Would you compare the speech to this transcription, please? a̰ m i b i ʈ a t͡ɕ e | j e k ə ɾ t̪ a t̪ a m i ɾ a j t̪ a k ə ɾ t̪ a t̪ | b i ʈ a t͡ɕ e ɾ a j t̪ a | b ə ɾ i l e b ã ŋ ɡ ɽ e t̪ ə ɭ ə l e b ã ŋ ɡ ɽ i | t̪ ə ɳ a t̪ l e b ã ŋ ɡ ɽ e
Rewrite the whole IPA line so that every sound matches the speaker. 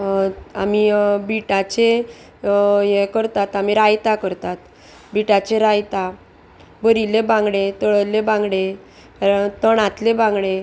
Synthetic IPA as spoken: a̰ m i b i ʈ a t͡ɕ e | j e k ə ɾ t̪ a t̪ a m i ɾ a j t̪ a k ə ɾ t̪ a t̪ | b i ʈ a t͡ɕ e ɾ a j t̪ a | b ə ɾ i l e b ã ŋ ɡ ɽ e t̪ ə ɭ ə l e b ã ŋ ɡ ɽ e | t̪ ə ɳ a t̪ l e b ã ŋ ɡ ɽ e